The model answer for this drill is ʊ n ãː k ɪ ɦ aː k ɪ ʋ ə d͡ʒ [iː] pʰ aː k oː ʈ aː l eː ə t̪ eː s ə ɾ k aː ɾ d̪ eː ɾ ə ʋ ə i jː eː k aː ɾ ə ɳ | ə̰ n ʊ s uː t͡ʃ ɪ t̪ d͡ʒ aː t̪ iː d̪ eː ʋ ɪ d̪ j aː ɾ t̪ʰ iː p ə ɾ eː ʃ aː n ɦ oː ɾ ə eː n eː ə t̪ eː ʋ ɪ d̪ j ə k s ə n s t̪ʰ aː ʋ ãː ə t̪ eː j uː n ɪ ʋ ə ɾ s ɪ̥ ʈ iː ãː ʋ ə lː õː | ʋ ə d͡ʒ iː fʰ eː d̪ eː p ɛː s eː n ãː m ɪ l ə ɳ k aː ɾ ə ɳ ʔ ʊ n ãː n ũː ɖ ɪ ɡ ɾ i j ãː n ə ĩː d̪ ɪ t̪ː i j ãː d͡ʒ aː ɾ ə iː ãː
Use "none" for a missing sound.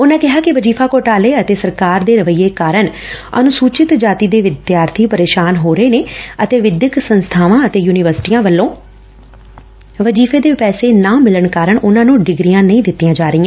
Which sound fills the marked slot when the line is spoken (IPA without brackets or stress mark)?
iː